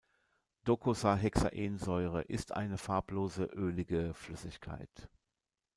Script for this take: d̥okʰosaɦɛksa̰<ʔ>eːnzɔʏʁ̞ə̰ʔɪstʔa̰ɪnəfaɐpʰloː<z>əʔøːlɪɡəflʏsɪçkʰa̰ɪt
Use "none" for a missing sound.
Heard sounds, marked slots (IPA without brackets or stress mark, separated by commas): ʔ, z